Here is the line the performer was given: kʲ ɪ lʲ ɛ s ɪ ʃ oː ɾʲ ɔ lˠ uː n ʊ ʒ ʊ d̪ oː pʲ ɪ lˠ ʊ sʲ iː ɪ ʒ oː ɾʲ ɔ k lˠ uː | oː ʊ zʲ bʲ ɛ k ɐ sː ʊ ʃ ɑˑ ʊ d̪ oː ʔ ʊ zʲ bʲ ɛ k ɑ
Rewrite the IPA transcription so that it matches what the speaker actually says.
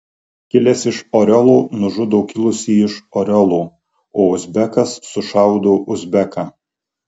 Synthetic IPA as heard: kʲ ɪ lʲ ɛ s ɪ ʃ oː ɾʲ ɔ lˠ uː n ʊ ʒ ʊ d̪ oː kʲ ɪ lˠ ʊ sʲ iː ɪ ʃ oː ɾʲ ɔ lˠ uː | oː ʊ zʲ bʲ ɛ k ɐ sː ʊ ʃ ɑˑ ʊ d̪ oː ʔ ʊ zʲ bʲ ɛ k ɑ

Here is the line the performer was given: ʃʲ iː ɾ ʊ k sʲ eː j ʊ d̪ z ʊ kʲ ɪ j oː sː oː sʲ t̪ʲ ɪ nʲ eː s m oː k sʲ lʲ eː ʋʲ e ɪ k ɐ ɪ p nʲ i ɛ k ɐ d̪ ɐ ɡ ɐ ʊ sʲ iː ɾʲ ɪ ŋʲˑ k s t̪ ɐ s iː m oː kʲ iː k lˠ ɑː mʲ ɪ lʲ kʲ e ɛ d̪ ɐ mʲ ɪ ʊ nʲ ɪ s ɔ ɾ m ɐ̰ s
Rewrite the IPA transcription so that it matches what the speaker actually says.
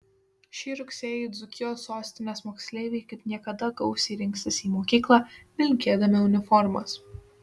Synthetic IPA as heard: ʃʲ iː ɾ ʊ k sʲ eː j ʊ d̪ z ʊ kʲ ɪ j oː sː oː sʲ t̪ʲ ɪ nʲ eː s m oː k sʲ lʲ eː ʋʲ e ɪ k ɐ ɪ p nʲ i ɛ k ɐ d̪ ɐ ɡ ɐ ʊ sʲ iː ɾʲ ɪ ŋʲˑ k s t̪ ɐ s iː m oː kʲ iː k lˠ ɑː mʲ ɪ lʲ kʲ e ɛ d̪ ɐ mʲ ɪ ʊ nʲ ɪ f ɔ ɾ m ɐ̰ s

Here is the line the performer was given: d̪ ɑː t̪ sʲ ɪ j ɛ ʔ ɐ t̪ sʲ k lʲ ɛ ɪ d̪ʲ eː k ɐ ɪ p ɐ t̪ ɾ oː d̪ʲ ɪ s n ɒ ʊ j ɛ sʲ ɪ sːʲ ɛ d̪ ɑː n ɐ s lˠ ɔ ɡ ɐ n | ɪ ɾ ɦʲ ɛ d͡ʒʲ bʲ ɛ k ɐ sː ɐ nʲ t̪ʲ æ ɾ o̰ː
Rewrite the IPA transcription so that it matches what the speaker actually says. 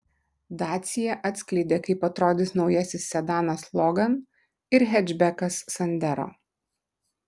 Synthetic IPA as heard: d̪ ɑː t̪ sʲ ɪ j ɛ ʔ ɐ t̪ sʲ k lʲ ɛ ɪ d̪ʲ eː k ɐ ɪ p ɐ t̪ ɾ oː d̪ʲ ɪ s n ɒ ʊ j ɛ sʲ ɪ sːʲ ɛ d̪ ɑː n ɐ s lˠ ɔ ɡ ɐ n | ɪ ɾ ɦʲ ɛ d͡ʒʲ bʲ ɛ k ɐ sː ɐ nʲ d̪ʲ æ ɾ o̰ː

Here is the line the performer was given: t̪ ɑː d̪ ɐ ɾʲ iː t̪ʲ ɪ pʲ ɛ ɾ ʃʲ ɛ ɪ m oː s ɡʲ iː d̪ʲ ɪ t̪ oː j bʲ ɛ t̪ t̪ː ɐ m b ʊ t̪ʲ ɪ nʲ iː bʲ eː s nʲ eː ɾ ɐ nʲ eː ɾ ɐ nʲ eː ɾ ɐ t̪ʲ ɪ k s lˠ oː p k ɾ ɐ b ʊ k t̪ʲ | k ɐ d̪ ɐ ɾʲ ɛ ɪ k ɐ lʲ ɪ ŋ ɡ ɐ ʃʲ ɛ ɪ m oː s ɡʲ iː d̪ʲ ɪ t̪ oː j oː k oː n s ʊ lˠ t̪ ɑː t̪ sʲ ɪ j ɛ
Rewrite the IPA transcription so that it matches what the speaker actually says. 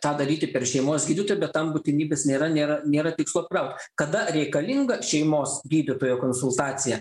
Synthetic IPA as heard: t̪ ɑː d̪ ɐ ɾʲ iː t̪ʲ ɪ pʲ ɛ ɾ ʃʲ ɛ ɪ m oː s ɡʲ iː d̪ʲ ɪ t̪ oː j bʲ ɛ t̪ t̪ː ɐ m b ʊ t̪ʲ ɪ nʲ iː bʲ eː s nʲ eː ɾ ɐ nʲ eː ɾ ɐ nʲ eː ɾ ɐ t̪ʲ ɪ k s lˠ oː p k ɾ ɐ ʊ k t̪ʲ | k ɐ d̪ ɐ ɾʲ ɛ ɪ k ɐ lʲ ɪ ŋ ɡ ɐ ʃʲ ɛ ɪ m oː s ɡʲ iː d̪ʲ ɪ t̪ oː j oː k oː n s ʊ lˠ t̪ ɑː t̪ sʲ ɪ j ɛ

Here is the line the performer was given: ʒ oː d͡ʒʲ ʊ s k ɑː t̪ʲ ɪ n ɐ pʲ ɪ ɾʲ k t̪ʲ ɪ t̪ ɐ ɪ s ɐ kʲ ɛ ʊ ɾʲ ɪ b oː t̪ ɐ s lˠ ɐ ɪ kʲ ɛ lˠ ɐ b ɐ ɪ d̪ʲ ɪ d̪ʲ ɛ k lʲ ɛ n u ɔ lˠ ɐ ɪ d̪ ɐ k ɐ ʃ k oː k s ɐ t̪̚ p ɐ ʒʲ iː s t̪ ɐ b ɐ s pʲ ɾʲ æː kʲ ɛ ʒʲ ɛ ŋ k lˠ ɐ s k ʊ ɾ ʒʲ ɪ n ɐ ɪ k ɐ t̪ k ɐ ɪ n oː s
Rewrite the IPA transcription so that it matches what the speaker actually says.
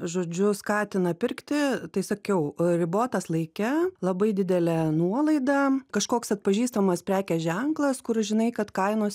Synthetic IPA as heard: ʒ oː d͡ʒʲ ʊ s k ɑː t̪ʲ ɪ n ɐ pʲ ɪ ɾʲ k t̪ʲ ɪ t̪ ɐ ɪ s ɐ kʲ ɛ ʊ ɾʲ ɪ b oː t̪ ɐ s lˠ ɐ ɪ kʲ ɛ lˠ ɐ b ɐ ɪ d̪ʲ ɪ d̪ʲ ɛ lʲ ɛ n u ɔ lˠ ɐ ɪ d̪ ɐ k ɐ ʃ k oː k s ɐ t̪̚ p ɐ ʒʲ iː s t̪ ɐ m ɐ s pʲ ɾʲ æː kʲ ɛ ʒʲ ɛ ŋ k lˠ ɐ s k ʊ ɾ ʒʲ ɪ n ɐ ɪ k ɐ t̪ k ɐ ɪ n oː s

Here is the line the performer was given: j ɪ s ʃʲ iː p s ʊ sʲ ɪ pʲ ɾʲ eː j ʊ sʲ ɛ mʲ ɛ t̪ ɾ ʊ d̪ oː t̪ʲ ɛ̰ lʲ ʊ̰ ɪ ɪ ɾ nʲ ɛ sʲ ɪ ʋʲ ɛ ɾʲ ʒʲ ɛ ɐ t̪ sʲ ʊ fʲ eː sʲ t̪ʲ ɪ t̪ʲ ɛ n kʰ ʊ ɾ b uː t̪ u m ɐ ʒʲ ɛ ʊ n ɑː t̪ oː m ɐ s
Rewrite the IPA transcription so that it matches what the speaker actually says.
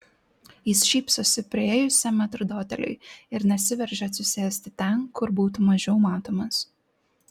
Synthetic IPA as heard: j ɪ s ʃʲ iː p s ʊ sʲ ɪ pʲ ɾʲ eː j ʊ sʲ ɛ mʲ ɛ t̪ ɾ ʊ d̪ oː t̪ʲ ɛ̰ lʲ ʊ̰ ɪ ɪ ɾ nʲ ɛ sʲ ɪ ʋʲ ɛ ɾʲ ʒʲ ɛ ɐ t̪ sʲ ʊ sʲ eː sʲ t̪ʲ ɪ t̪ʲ ɛ n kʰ ʊ ɾ b uː t̪ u m ɐ ʒʲ ɛ ʊ m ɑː t̪ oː m ɐ s

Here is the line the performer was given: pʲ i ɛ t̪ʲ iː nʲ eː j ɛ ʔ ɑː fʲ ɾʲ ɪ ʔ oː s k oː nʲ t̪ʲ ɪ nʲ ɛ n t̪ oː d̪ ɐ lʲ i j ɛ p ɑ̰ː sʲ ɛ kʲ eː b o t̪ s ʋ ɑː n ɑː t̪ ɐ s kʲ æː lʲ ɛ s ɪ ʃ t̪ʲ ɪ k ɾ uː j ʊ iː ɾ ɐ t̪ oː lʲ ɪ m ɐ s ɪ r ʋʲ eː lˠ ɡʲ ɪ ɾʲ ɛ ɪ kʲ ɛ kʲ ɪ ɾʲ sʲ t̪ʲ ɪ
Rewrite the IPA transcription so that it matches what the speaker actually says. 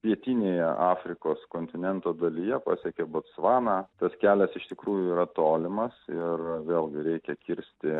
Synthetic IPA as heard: pʲ i ɛ t̪ʲ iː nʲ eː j ɛ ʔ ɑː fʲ ɾʲ ɪ k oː s k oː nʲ t̪ʲ ɪ nʲ ɛ n t̪ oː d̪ ɐ lʲ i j ɛ p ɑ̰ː sʲ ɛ kʲ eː b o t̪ s ʋ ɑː n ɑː t̪ ɐ s kʲ æː lʲ ɛ s ɪ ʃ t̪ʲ ɪ k ɾ uː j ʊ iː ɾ ɐ t̪ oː lʲ ɪ m ɐ s ɪ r ʋʲ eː lˠ ɡʲ ɪ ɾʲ ɛ ɪ kʲ ɛ kʲ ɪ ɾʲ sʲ t̪ʲ ɪ

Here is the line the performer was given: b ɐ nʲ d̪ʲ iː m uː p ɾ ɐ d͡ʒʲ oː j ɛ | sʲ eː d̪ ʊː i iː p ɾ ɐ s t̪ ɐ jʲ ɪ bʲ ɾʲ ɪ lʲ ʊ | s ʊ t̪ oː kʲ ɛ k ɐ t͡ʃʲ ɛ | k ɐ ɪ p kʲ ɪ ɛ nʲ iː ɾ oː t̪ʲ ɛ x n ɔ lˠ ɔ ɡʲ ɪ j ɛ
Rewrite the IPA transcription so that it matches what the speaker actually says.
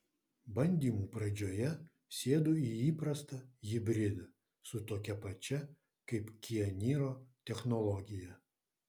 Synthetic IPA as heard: b ɐ nʲ d̪ʲ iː m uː p ɾ ɐ d͡ʒʲ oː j ɛ | sʲ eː d̪ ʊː i iː p ɾ ɐ s t̪ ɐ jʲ ɪ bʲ ɾʲ ɪ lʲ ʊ | s ʊ t̪ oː kʲ ɛ p ɐ t͡ʃʲ ɛ | k ɐ ɪ p kʲ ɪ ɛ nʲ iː ɾ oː t̪ʲ ɛ x n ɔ lˠ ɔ ɡʲ ɪ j ɛ

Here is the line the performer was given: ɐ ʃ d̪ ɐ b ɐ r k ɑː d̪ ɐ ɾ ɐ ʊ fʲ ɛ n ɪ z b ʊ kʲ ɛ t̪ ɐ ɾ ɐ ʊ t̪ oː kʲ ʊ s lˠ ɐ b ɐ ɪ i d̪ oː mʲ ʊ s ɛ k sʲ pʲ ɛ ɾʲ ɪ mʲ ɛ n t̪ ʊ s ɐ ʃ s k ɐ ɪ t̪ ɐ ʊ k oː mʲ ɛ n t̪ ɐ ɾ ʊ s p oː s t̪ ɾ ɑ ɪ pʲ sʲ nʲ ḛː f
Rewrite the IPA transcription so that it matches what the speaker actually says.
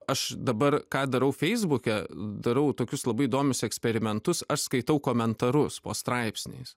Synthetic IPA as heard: ɐ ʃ d̪ ɐ b ɐ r k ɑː d̪ ɐ ɾ ɐ ʊ fʲ ɛ ɪ z b ʊ kʲ ɛ d̪ ɐ ɾ ɐ ʊ t̪ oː kʲ ʊ s lˠ ɐ b ɐ ɪ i d̪ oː mʲ ʊ s ɛ k sʲ pʲ ɛ ɾʲ ɪ mʲ ɛ n t̪ ʊ s ɐ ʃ s k ɐ ɪ t̪ ɐ ʊ k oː mʲ ɛ n t̪ ɐ ɾ ʊ s p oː s t̪ ɾ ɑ ɪ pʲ sʲ nʲ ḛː s

